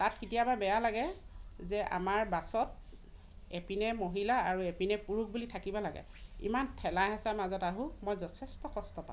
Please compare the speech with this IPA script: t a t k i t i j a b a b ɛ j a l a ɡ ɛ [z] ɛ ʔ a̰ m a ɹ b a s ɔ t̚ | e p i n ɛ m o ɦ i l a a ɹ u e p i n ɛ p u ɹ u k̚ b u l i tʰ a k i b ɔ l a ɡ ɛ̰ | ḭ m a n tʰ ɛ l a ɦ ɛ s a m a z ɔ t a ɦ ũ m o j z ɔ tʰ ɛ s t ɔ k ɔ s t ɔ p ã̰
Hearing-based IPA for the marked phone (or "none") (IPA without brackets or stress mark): z